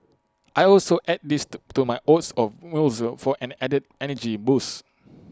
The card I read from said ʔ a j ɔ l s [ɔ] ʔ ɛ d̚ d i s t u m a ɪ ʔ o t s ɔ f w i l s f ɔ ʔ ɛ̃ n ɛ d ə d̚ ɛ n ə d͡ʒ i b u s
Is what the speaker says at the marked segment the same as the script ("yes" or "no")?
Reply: no